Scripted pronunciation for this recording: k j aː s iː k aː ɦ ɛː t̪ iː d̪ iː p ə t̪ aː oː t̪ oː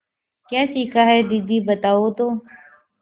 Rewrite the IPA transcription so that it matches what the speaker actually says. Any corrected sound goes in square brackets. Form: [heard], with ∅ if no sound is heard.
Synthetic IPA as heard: k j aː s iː k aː ɦ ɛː [d̪] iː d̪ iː [b] ə t̪ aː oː t̪ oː